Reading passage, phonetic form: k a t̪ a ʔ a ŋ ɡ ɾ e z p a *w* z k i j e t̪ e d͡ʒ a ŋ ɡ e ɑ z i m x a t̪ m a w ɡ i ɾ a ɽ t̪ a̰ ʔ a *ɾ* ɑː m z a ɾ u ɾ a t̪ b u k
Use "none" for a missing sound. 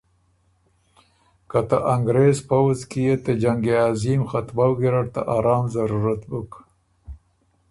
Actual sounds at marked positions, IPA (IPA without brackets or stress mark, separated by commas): w, ɾ